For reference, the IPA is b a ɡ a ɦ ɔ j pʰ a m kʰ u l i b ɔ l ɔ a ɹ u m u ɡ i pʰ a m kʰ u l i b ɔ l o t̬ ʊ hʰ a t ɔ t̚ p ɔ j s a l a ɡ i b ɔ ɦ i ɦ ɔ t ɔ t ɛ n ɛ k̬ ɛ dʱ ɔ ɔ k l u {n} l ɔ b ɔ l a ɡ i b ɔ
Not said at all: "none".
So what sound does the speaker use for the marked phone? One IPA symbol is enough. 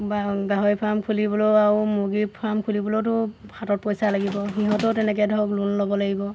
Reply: n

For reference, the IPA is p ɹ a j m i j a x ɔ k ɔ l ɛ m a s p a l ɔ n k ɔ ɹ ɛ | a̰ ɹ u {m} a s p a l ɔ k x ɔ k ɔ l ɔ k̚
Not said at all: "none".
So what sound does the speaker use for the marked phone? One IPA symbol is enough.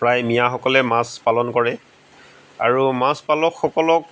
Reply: m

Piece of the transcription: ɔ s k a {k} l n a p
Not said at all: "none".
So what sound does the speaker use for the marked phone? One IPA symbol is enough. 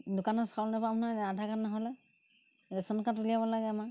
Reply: none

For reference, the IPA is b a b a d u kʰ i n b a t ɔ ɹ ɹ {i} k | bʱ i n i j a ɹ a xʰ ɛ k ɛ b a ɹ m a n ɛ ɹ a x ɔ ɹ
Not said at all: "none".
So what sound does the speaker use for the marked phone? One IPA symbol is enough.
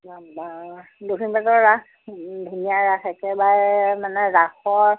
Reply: a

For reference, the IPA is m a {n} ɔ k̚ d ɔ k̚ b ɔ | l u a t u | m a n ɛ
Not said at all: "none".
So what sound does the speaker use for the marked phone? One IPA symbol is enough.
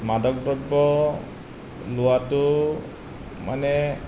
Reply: d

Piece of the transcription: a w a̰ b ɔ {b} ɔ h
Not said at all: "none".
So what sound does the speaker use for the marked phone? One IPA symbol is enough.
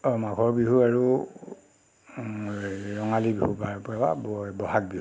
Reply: b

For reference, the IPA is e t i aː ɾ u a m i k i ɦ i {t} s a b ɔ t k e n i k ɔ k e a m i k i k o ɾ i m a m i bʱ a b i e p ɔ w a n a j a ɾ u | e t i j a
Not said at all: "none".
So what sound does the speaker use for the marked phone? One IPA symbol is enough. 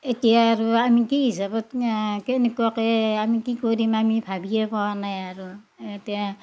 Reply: none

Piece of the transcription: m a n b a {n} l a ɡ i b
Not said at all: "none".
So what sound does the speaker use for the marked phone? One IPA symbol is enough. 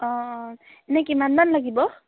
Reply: n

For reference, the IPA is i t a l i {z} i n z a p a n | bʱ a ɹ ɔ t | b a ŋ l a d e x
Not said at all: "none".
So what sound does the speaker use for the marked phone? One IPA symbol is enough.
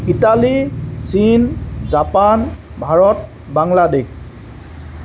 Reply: s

